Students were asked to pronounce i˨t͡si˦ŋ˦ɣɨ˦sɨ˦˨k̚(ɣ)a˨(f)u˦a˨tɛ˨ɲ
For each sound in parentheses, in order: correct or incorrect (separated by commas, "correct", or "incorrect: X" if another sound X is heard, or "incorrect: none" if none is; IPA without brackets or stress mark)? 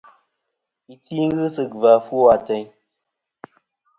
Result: incorrect: v, correct